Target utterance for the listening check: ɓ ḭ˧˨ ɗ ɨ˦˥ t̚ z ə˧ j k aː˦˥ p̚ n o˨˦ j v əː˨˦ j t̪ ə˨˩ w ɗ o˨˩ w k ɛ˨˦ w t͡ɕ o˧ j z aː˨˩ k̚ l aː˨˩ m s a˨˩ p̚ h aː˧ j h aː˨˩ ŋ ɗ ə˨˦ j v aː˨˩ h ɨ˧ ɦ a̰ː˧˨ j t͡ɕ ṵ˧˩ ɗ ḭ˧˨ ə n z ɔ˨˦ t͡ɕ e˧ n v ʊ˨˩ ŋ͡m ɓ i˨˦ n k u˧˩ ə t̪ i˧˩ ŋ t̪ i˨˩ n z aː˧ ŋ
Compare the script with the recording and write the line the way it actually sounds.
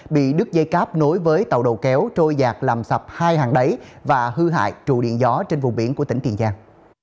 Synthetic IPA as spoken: ɓ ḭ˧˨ ɗ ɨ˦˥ k̚ z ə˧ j k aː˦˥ p̚ n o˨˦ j v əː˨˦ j t̪ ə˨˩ w ɗ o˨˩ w k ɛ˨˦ w t͡ɕ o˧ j z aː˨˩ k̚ l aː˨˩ m s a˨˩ p̚ h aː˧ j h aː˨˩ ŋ ɗ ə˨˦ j v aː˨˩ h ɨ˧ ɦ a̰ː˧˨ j t͡ɕ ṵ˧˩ ɗ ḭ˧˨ ə n z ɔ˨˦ t͡ɕ e˧ n v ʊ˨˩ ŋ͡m ɓ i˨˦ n k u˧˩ ə t̪ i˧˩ ŋ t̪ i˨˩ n z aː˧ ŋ

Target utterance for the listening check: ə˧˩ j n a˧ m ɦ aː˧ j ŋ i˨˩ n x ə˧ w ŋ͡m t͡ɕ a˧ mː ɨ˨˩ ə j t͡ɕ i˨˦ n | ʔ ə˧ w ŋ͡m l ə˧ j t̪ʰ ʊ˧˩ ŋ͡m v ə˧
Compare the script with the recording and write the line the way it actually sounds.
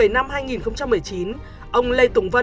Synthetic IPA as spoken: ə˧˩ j n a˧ m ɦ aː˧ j ŋ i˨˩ n x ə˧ w ŋ͡m t͡ɕ a˧ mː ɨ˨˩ ə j t͡ɕ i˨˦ n | ʔ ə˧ w ŋ͡m l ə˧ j t̪ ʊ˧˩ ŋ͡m v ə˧

